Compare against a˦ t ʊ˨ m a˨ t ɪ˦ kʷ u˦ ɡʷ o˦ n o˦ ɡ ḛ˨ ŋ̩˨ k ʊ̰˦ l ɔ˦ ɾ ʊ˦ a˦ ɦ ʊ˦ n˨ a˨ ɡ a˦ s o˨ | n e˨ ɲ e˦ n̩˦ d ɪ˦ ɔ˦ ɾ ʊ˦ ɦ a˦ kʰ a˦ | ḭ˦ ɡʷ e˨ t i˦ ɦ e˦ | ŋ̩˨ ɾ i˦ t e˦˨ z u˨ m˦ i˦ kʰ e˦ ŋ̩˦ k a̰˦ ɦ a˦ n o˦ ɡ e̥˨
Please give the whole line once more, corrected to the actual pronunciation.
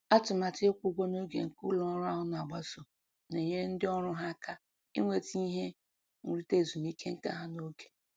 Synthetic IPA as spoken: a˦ t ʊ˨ m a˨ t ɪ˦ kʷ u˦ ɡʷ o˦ n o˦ ɡ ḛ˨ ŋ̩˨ k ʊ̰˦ l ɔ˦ ɾ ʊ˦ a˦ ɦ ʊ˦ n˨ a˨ ɡ͡b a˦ s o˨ | n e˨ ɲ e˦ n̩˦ d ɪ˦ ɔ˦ ɾ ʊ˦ ɦ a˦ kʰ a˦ | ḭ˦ ŋʷ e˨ t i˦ ɦ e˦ | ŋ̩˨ ɾ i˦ t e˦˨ z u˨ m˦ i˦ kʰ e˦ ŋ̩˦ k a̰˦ ɦ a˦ n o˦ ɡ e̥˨